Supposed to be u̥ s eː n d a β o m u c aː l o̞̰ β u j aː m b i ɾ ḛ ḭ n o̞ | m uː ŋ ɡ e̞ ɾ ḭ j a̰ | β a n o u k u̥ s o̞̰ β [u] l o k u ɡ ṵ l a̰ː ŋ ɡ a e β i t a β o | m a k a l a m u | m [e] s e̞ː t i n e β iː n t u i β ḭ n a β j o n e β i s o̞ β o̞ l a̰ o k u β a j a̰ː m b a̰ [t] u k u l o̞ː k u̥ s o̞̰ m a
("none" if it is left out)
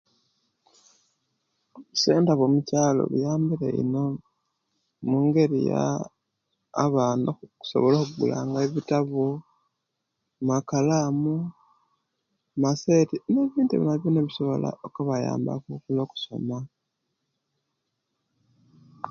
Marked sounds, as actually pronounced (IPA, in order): o, a, k

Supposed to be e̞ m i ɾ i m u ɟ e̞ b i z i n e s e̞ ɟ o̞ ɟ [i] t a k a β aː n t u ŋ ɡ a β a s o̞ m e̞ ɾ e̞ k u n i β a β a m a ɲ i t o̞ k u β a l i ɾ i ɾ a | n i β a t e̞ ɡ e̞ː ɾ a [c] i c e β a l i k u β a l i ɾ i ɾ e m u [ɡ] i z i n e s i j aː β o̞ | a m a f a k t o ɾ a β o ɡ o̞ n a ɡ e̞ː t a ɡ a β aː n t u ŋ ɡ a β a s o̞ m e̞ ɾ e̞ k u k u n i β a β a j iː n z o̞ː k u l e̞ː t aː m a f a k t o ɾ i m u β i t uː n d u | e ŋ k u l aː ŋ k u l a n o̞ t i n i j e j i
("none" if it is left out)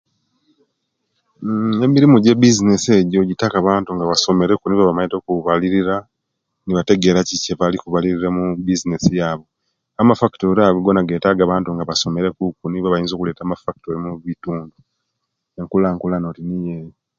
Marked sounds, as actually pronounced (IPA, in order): i, c, b

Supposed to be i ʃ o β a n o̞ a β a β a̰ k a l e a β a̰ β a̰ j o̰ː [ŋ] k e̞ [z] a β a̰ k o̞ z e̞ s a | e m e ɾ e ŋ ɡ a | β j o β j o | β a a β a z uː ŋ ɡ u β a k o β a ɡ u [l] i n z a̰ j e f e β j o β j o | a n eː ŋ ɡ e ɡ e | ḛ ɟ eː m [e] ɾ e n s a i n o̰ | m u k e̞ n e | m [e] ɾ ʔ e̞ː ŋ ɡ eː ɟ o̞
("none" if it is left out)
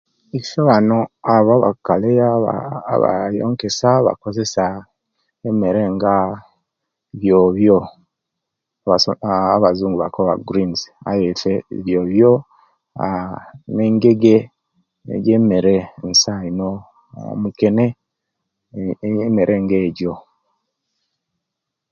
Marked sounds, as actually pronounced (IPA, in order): ŋ, s, ɾ, e, e

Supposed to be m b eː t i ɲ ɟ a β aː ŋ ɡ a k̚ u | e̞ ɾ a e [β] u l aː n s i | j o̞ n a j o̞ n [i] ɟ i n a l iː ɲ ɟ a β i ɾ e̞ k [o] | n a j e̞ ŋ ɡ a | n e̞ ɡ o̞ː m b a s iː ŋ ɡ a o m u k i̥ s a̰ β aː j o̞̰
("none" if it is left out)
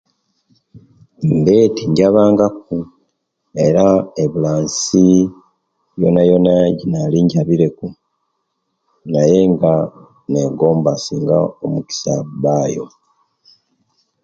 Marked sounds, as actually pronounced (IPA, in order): β, a, u

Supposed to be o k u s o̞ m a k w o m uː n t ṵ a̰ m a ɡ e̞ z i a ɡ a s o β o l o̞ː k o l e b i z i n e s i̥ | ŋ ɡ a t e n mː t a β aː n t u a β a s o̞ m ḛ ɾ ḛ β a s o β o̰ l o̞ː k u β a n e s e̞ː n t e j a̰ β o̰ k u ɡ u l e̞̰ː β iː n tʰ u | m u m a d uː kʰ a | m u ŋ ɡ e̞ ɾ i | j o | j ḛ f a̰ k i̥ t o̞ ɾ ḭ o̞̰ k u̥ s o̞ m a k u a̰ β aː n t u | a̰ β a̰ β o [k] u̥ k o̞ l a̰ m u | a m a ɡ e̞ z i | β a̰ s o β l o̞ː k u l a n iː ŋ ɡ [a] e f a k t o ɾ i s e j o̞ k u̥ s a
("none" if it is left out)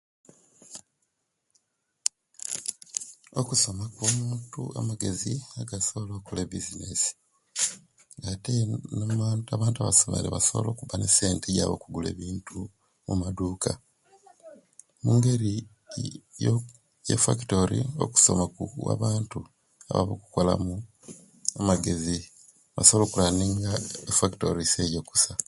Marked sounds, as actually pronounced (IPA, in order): k, a

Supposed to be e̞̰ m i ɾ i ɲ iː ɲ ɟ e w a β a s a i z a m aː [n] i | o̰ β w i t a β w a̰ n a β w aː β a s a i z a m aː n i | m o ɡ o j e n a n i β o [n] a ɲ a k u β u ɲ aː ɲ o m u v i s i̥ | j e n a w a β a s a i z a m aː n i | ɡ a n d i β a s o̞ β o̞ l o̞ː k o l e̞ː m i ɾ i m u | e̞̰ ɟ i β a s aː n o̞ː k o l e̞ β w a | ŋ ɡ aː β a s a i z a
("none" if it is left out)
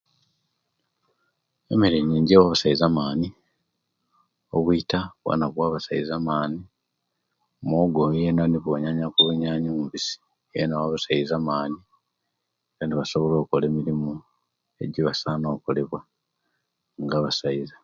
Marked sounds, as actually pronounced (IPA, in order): n, ɲ

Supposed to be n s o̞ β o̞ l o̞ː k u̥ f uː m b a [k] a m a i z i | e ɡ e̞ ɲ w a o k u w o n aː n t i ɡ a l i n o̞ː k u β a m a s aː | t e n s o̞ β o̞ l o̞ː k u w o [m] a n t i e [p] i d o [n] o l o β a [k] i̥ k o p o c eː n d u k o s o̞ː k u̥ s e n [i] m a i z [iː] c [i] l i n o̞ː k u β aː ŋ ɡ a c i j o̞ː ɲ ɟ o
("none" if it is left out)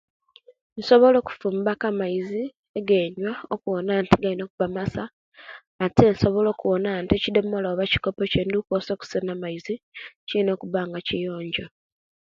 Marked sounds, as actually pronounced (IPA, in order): k, n, c, m, c, a, i, i

